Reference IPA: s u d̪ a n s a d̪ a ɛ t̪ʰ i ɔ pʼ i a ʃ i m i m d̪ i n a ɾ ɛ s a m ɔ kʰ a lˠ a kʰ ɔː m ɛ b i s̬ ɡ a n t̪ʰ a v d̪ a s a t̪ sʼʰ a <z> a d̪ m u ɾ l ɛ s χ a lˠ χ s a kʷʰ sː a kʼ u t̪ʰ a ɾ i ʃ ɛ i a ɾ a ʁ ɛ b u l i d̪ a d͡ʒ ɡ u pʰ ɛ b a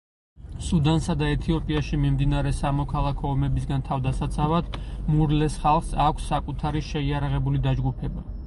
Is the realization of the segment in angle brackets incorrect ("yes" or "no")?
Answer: yes